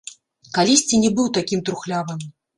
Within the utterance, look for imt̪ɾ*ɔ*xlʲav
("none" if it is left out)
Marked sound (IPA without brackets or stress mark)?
u